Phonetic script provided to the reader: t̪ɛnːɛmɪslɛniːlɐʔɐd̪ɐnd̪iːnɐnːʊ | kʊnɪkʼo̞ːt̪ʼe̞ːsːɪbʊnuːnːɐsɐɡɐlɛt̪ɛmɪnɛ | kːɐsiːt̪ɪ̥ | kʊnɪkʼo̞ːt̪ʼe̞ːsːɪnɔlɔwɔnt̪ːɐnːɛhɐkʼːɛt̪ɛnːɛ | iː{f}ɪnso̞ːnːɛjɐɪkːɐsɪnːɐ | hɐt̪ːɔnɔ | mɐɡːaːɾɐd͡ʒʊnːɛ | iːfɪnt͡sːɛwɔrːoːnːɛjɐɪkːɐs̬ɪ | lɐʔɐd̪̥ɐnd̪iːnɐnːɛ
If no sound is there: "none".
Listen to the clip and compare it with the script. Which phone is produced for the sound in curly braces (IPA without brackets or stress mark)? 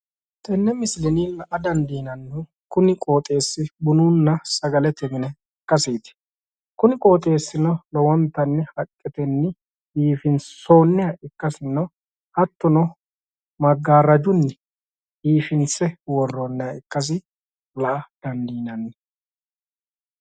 f